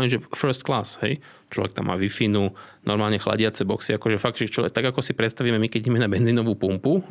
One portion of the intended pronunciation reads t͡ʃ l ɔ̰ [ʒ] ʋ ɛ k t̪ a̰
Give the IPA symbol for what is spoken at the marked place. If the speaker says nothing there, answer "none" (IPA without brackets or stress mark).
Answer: none